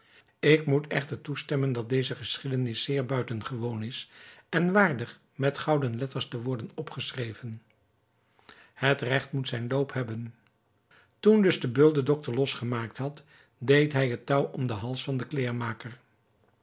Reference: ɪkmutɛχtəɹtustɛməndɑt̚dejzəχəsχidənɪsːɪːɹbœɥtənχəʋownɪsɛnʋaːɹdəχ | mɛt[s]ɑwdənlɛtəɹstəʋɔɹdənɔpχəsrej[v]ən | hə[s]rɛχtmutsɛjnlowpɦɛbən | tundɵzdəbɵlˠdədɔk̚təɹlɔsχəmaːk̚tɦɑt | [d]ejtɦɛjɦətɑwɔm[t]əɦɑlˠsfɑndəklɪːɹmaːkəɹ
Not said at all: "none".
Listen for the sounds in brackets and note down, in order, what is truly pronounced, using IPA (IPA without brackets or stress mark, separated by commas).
χ, v, t, d, d